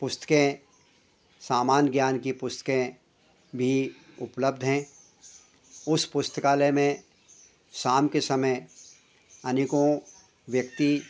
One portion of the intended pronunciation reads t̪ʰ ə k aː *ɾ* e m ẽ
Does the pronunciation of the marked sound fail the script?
yes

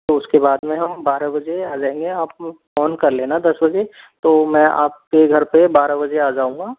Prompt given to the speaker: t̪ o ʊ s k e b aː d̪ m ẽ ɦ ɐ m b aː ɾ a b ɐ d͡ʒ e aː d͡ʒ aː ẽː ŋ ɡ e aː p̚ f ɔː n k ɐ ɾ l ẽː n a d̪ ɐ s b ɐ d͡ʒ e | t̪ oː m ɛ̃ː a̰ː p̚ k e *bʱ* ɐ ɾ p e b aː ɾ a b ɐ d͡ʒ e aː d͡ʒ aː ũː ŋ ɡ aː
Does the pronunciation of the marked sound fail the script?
yes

